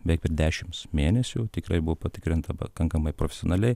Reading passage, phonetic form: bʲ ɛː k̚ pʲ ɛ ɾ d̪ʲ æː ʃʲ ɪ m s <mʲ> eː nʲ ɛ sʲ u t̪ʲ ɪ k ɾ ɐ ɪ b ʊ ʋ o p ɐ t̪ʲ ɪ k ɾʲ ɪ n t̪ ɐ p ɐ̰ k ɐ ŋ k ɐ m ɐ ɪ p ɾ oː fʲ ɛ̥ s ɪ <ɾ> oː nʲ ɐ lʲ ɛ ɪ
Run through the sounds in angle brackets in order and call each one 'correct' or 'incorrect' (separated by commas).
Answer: correct, incorrect